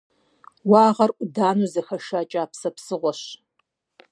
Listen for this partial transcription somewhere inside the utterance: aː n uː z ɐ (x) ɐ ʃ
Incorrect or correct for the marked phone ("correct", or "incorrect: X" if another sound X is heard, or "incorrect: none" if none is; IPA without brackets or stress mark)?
correct